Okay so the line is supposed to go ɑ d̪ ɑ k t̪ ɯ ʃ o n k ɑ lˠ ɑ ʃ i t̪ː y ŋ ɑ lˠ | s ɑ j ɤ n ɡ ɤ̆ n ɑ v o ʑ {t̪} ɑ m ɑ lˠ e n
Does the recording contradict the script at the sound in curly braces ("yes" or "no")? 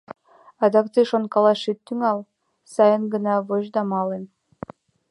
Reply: yes